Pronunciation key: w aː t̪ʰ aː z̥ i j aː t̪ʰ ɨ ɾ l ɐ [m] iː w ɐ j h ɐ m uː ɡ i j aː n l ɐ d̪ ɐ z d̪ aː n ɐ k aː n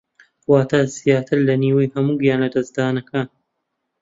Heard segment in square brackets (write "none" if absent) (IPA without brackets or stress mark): n